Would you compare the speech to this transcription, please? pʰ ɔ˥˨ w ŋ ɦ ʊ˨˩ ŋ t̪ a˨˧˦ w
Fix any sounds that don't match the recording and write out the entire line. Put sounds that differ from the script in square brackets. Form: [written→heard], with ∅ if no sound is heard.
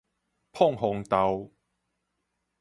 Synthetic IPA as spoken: pʰ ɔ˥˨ [w→∅] ŋ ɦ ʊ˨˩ ŋ t̪ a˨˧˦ w